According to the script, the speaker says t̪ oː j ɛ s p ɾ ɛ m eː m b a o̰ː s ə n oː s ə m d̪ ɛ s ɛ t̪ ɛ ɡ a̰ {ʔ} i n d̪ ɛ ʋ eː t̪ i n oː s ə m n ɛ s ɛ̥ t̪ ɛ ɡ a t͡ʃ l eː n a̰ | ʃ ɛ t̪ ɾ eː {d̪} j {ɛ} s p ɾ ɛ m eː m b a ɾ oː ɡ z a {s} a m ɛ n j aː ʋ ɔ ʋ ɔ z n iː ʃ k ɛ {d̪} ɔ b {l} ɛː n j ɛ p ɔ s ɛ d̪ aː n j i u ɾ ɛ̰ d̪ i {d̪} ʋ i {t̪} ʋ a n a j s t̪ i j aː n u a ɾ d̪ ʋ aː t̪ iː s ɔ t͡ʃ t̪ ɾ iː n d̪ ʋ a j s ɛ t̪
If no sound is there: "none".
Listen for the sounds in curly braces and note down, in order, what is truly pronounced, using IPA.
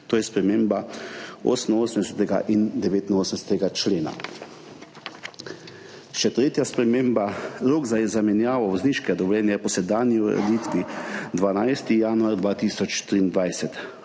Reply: ʔ, t̪, a, z, d̪, l, t̪, d̪

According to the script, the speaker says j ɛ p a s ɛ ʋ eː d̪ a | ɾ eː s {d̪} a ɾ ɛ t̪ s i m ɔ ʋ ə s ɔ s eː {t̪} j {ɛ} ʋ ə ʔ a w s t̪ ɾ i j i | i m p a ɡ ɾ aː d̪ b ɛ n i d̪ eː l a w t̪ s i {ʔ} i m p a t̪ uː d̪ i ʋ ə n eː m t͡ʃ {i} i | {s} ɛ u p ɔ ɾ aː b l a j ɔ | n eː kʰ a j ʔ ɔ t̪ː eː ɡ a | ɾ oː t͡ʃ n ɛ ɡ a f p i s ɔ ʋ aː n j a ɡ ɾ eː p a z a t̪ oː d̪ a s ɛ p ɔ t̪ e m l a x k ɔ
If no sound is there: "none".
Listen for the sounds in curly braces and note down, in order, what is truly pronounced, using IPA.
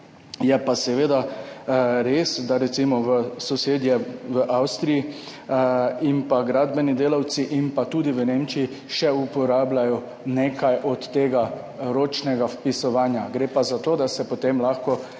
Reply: d̪, d̪, ɛ, ʔ, i, ʃ

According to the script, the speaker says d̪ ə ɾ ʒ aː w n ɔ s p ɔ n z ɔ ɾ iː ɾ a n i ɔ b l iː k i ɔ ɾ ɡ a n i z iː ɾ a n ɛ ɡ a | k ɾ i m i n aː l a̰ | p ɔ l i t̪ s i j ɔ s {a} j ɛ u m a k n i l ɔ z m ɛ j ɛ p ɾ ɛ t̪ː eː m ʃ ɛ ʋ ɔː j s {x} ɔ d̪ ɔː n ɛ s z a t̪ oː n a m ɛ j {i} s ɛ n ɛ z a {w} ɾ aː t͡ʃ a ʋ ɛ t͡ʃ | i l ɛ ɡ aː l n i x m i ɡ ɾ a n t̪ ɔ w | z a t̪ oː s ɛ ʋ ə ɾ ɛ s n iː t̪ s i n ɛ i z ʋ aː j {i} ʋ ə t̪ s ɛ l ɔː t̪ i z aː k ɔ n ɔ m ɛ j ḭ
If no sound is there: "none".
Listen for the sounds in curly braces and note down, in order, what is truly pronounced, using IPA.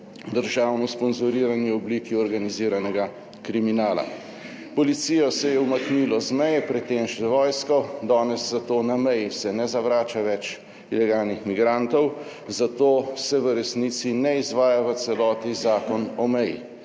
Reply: ɛ, k, i, ʋ, a

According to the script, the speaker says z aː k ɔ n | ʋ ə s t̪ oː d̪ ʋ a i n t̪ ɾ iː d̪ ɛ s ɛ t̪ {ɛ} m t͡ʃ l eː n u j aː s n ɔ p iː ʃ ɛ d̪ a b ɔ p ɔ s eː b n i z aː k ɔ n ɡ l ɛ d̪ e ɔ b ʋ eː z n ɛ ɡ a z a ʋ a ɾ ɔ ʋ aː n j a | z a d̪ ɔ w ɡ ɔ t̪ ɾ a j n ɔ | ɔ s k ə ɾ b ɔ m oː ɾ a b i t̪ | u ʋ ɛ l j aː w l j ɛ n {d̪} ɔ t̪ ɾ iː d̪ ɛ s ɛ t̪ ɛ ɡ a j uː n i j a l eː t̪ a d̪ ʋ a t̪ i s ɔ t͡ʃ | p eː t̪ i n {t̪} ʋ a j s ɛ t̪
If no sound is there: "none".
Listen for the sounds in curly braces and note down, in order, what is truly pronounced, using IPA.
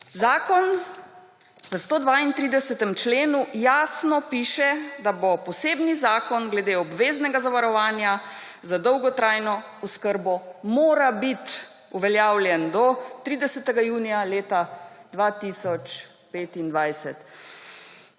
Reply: ɛ, d̪, d̪

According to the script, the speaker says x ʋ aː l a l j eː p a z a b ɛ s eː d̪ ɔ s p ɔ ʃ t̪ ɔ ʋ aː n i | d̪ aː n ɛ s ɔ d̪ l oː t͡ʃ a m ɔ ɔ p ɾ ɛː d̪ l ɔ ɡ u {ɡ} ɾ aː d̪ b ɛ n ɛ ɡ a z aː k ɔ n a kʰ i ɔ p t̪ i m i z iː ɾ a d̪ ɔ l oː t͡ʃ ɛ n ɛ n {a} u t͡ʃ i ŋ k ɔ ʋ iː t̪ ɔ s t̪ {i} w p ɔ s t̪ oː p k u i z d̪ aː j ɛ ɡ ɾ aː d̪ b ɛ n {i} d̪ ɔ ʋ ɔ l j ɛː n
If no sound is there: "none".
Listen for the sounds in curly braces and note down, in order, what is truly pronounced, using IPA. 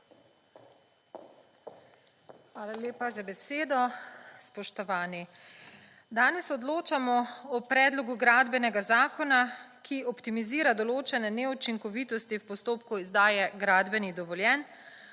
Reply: ɡ, ɛ, i, i

